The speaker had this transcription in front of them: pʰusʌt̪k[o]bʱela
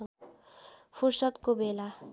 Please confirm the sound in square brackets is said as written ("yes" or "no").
yes